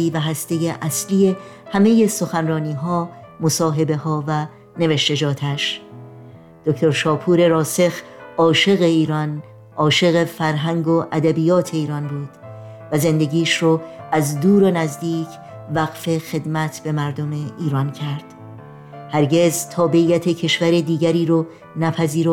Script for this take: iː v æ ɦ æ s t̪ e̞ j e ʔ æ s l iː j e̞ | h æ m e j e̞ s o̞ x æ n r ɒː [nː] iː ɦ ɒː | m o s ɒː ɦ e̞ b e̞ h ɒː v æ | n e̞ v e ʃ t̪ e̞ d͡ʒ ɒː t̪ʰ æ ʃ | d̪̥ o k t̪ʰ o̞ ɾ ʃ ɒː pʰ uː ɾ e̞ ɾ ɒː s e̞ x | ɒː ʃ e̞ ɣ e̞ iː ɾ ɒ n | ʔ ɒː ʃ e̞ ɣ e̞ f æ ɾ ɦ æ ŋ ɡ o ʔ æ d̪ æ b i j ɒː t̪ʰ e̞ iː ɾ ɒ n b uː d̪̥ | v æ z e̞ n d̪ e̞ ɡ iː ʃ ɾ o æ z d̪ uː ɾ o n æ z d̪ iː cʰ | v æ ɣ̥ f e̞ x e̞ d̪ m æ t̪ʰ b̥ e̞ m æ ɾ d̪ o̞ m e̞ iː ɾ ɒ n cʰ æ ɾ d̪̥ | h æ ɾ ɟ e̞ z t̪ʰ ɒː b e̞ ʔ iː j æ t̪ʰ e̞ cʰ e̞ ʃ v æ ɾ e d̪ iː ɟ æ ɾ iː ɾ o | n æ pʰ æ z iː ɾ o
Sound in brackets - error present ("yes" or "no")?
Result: yes